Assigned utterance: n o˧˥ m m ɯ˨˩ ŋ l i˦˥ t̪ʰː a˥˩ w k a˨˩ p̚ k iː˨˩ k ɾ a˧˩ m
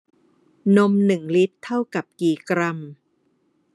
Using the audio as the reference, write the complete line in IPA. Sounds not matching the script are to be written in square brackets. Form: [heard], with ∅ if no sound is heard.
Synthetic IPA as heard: n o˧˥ m [n] ɯ˨˩ ŋ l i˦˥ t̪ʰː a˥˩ w k a˨˩ p̚ k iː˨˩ k ɾ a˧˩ m